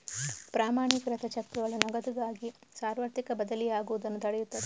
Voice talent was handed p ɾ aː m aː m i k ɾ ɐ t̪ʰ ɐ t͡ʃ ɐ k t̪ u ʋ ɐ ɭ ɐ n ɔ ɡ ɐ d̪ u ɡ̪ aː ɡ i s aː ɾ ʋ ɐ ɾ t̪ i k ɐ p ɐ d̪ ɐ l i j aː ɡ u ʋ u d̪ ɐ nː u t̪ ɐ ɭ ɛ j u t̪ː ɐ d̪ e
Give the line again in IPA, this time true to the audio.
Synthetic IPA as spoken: p ɾ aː m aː ɳ i k ɾ ɐ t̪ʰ ɐ t͡ʃ ɐ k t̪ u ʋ ɐ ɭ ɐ n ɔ ɡ ɐ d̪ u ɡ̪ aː ɡ i s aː ɾ ʋ ɐ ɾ t̪ i k ɐ b ɐ d̪ ɐ l i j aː ɡ u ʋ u d̪ ɐ nː u t̪ ɐ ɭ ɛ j u t̪ː ɐ d̪ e